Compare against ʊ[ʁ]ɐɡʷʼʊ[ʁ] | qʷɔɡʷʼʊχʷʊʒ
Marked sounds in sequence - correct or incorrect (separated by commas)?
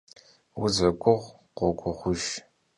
incorrect, correct